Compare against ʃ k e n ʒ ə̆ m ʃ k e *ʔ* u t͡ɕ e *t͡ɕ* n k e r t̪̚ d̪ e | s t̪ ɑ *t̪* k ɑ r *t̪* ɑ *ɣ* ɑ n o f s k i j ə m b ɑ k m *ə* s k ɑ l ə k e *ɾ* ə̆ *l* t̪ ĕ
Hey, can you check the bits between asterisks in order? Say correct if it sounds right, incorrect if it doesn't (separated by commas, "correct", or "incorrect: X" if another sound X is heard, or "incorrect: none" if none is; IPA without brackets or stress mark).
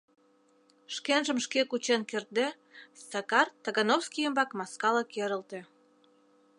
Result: incorrect: k, incorrect: none, incorrect: none, correct, correct, incorrect: ɑ, correct, correct